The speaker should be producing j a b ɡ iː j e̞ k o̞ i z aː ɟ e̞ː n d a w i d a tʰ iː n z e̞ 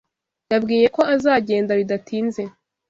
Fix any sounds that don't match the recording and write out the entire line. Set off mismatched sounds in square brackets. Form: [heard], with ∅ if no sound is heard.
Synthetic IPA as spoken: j a b ɡ iː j e̞ k o̞ [a] z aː ɟ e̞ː n d a [β] i d a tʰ iː n z e̞